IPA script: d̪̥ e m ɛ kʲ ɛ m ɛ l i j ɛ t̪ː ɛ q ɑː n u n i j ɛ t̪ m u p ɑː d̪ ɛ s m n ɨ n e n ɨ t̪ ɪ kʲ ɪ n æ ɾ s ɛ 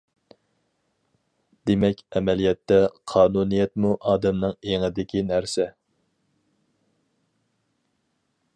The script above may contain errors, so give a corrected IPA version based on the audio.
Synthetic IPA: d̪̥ e m ɛ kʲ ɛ m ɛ l i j ɛ t̪ː ɛ qʰ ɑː n u n i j ɛ t̪ m u ʔ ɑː d̪ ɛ m n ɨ ŋ e ŋ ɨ d̪ ɪ kʲ i n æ ɾ s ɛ